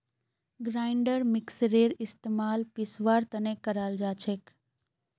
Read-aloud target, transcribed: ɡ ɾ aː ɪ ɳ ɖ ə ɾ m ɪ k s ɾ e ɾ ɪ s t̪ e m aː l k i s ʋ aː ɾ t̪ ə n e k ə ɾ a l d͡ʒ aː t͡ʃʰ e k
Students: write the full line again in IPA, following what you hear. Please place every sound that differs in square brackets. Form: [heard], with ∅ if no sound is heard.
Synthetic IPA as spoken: ɡ ɾ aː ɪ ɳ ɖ ə ɾ m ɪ k s ɾ e ɾ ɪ s t̪ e m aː l [p] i s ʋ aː ɾ t̪ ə n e k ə ɾ a l d͡ʒ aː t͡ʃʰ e k